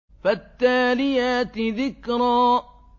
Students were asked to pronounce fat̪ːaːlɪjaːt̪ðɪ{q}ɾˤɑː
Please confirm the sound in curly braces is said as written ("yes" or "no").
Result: no